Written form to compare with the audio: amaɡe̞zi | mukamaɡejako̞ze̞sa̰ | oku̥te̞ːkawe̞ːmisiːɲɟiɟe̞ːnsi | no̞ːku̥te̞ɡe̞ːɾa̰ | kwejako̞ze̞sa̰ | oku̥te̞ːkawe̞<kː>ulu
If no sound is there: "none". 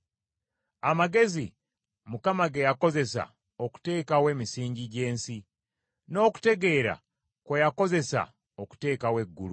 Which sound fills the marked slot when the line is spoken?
ɡː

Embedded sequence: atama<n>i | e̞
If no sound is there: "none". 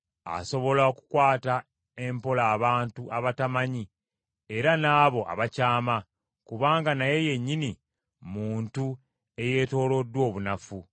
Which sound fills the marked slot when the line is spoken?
ɲ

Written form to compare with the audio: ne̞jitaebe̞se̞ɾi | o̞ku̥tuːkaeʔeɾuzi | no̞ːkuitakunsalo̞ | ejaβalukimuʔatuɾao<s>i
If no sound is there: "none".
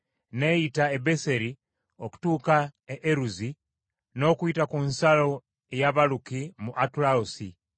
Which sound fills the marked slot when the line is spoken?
s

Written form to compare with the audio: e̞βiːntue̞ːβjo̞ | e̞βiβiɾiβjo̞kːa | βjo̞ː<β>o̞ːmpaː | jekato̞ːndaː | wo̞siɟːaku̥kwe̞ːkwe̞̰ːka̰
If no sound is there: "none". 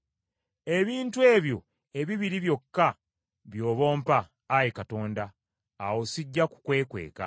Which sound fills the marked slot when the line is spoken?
β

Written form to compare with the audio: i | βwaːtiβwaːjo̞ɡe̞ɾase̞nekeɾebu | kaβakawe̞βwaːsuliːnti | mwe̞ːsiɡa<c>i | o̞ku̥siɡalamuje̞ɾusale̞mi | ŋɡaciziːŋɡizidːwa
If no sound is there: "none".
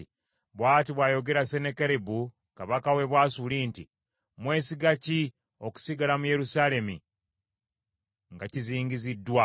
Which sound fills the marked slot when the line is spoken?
c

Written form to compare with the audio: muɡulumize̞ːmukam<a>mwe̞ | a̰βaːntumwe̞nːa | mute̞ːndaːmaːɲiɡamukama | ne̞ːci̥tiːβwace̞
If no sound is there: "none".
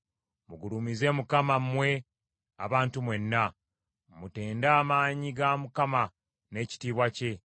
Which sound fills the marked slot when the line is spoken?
a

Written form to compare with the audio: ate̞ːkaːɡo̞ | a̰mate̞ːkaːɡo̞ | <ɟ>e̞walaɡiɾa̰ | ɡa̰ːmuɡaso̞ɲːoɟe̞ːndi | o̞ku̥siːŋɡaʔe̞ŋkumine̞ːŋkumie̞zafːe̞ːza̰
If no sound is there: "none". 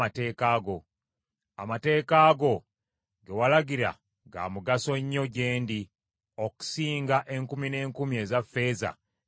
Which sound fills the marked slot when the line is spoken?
ɡ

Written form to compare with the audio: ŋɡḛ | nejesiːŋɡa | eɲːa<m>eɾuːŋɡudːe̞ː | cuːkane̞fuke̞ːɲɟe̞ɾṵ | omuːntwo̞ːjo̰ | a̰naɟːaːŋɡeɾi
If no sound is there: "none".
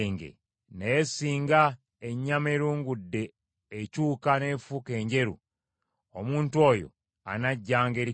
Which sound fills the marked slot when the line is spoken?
m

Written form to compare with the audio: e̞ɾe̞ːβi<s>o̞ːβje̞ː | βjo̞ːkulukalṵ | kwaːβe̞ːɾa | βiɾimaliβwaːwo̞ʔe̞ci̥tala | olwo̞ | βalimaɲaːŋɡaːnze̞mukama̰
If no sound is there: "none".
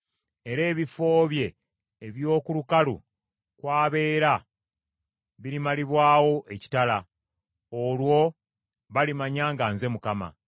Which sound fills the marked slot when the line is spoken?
f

